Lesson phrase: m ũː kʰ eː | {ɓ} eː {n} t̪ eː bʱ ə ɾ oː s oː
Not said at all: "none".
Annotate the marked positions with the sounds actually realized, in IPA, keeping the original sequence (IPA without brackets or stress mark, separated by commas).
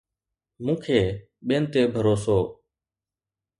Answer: ɓ, n